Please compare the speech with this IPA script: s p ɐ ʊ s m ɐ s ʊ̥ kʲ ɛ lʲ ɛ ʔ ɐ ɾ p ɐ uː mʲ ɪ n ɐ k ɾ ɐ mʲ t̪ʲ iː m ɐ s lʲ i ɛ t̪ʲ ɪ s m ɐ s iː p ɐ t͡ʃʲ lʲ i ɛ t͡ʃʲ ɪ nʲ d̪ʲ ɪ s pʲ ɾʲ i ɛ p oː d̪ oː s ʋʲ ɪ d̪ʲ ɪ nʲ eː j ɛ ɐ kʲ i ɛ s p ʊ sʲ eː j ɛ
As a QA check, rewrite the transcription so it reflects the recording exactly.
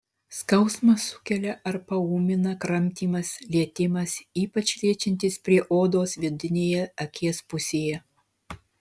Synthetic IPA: s k ɐ ʊ s m ɐ s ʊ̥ kʲ ɛ lʲ ɛ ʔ ɐ ɾ p ɐ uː mʲ ɪ n ɐ k ɾ ɐ mʲ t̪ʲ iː m ɐ s lʲ i ɛ t̪ʲ ɪ m ɐ s iː p ɐ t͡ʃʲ lʲ i ɛ t͡ʃʲ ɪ nʲ t̪ʲ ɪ s pʲ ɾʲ i ɛ ʔ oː d̪ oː s ʋʲ ɪ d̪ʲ ɪ nʲ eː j ɛ ɐ kʲ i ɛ s p ʊ sʲ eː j ɛ